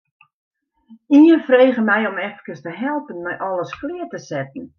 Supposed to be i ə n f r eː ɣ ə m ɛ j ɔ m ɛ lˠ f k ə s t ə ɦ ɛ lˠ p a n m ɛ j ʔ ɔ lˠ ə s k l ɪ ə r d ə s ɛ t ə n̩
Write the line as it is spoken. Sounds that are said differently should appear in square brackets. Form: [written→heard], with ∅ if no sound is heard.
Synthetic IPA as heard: i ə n f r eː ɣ ə m ɛ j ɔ m ɛ [lˠ→∅] f k ə s t ə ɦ ɛ lˠ p [a→ə] n m ɛ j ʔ ɔ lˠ ə s k l ɪ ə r [d→t] ə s ɛ t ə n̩